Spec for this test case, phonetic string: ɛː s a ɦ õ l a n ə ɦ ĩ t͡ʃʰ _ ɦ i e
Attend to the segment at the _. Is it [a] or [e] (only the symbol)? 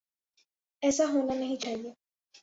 a